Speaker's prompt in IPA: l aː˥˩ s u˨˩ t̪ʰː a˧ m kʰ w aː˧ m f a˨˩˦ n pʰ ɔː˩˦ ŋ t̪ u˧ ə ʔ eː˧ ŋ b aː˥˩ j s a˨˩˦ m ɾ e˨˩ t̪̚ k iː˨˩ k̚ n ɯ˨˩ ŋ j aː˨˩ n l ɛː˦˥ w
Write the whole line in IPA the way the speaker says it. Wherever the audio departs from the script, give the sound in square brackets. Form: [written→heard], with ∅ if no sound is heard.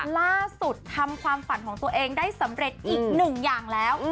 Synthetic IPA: l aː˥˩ s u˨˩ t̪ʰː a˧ m kʰ w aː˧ m f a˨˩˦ n [pʰ→kʰ] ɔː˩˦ ŋ t̪ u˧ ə ʔ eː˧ ŋ [b→d] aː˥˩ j s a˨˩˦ m ɾ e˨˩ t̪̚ [k→ʔ] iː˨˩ k̚ n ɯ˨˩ ŋ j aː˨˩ [n→ŋ] l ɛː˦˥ w